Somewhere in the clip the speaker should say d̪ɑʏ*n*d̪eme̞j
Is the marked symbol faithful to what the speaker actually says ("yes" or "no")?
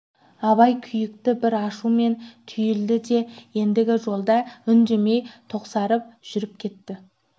yes